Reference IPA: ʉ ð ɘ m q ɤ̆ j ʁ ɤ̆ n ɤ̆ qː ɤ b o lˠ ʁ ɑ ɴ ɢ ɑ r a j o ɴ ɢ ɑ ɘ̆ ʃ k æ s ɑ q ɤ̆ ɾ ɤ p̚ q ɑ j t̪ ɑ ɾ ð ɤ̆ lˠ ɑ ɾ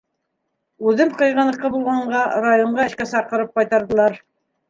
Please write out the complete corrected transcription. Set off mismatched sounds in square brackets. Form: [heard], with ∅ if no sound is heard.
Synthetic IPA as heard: ʉ ð ɘ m q ɤ̆ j ʁ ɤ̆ n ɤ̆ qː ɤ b [u] lˠ ʁ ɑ ɴ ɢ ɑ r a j o ɴ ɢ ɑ ɘ̆ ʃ k æ s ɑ q ɤ̆ ɾ ɤ p̚ q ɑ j t̪ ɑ ɾ ð ɤ̆ lˠ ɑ ɾ